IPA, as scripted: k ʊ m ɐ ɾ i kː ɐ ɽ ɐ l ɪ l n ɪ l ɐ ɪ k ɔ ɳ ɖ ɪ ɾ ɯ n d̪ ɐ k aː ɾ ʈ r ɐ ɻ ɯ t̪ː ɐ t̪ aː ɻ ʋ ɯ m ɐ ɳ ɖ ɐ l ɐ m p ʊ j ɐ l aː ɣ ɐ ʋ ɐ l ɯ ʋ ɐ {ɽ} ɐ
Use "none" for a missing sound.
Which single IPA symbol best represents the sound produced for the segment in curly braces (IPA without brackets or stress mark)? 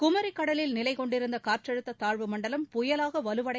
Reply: ɽ